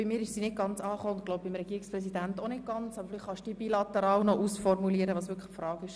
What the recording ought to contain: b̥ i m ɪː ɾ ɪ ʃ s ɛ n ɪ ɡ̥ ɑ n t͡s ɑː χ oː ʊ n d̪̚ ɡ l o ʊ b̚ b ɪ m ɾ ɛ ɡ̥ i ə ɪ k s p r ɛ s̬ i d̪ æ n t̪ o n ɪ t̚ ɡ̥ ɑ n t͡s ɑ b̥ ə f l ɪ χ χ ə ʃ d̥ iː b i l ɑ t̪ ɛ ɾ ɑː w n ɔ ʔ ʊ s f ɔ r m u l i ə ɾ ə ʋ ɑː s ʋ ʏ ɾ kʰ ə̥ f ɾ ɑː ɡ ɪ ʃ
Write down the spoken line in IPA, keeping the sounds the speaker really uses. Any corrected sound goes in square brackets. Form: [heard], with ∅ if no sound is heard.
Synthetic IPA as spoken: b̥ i m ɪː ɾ ɪ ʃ s [i] n ɪ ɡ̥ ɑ n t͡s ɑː χ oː ʊ n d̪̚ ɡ l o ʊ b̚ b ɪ m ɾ ɛ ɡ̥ i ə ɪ k s p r ɛ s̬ i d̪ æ n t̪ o n ɪ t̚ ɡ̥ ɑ n t͡s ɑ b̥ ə f l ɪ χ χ [ɑ] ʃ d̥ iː b i l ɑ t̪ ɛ ɾ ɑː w n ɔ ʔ [u] s f ɔ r m u l i ə ɾ ə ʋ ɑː s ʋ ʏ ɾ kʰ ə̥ f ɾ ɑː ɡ ɪ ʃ